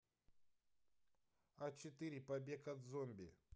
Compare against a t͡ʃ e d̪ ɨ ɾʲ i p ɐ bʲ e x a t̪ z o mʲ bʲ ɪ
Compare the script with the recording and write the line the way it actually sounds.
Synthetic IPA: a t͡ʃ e t̪ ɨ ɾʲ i p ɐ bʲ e k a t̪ z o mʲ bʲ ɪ